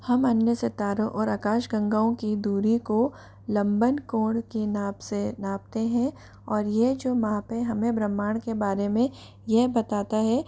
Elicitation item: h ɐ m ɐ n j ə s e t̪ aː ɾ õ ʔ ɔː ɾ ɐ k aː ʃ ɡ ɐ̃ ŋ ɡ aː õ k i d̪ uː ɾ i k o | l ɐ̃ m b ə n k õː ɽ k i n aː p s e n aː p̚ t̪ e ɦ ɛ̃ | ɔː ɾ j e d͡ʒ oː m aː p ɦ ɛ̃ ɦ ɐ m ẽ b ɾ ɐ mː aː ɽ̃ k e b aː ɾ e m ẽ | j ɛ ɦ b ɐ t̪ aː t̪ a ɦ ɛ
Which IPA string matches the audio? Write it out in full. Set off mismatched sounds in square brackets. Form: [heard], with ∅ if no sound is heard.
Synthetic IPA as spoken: h ɐ m ɐ n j ə s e t̪ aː ɾ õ ʔ ɔː ɾ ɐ k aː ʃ ɡ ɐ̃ ŋ ɡ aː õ k i d̪ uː ɾ i k o | l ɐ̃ m b ə n k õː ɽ k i n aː p s e n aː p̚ t̪ e ɦ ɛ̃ | ɔː ɾ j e d͡ʒ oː m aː p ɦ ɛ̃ ɦ ɐ m ẽ b ɾ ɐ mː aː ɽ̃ k e b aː ɾ e m ẽ | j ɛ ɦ b ɐ t̪ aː t̪ a ɦ ɛ